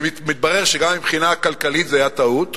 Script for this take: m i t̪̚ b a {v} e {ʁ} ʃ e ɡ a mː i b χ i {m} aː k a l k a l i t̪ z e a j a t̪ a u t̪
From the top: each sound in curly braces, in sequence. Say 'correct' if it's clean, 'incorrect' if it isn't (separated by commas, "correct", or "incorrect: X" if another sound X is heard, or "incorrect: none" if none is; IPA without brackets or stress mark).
incorrect: ʁ, correct, incorrect: n